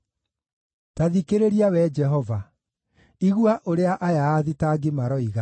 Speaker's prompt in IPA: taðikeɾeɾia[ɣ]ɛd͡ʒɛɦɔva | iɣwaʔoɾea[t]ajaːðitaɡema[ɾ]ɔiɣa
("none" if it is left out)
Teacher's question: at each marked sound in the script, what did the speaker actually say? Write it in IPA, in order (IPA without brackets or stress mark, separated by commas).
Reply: w, ʔ, ɾ